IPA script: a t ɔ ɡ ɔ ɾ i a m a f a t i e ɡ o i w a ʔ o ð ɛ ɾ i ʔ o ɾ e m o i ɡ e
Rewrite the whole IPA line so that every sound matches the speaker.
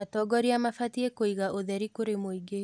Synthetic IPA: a t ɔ ɡ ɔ ɾ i a m a f a t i e k o i ɣ a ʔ o ð ɛ ɾ i k o ɾ e m o i ɡ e